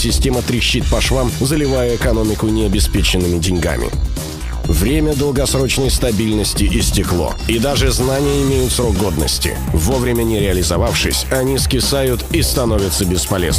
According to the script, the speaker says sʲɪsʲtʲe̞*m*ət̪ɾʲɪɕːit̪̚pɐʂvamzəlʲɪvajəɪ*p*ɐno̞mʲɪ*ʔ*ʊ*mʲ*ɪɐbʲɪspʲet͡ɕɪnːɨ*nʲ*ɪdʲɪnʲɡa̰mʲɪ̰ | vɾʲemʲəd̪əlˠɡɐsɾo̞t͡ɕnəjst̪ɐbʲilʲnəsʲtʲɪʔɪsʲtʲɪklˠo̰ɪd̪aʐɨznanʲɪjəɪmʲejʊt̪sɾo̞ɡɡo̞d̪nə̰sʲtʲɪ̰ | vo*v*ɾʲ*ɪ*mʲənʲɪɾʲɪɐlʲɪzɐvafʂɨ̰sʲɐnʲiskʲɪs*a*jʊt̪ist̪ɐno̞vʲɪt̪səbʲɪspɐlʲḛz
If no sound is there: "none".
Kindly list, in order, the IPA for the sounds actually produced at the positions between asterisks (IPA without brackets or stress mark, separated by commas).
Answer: m, k, k, nʲ, mʲ, v, ɪ, a